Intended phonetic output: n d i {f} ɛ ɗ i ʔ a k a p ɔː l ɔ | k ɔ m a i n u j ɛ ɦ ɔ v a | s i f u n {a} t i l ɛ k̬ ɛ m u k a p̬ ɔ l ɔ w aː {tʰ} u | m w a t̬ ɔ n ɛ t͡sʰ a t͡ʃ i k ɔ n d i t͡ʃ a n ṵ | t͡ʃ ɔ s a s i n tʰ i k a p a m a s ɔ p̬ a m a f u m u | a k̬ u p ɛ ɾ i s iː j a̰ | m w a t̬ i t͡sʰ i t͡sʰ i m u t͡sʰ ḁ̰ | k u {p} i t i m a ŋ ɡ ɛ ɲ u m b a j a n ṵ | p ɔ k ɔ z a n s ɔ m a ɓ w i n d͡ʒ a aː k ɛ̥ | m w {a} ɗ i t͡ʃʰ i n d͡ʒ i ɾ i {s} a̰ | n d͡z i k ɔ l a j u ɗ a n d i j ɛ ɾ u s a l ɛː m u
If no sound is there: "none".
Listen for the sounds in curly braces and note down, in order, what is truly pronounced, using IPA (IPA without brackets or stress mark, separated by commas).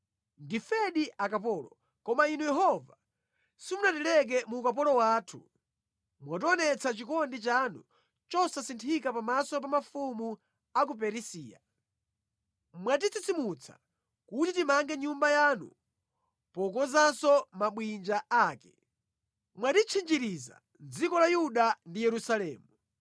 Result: f, a, tʰ, t, a, z